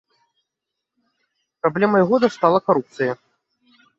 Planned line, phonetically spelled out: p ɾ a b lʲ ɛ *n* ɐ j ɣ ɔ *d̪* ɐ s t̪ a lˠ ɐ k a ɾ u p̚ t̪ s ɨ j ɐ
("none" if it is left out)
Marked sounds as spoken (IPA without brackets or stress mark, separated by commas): m, d̪